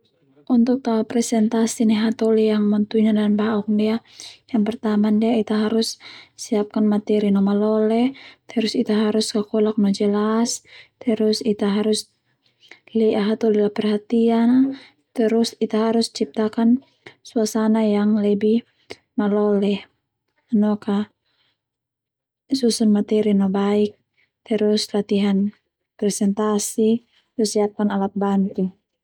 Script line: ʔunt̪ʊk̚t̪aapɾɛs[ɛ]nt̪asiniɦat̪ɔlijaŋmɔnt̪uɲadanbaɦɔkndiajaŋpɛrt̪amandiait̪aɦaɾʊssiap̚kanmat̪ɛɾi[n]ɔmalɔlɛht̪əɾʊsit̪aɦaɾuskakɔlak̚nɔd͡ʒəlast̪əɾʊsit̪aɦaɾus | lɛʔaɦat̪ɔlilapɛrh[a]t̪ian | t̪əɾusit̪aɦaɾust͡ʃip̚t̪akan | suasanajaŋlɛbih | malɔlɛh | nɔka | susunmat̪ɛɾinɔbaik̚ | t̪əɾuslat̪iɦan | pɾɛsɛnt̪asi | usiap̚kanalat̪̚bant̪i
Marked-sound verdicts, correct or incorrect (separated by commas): correct, correct, correct